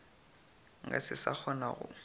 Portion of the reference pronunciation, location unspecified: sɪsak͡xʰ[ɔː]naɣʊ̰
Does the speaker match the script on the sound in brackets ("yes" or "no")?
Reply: no